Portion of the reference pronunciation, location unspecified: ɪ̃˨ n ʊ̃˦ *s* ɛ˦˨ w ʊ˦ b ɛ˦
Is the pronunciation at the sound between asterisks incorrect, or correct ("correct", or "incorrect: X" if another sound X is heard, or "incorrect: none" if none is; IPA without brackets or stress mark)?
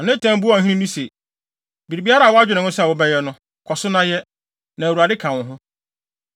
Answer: correct